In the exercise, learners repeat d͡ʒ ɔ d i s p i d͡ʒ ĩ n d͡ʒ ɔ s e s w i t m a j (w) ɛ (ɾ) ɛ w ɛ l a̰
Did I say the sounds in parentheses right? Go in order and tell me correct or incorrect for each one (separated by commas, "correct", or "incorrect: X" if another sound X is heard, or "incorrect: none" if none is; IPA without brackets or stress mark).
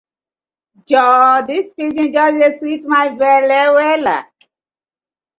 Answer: incorrect: v, incorrect: l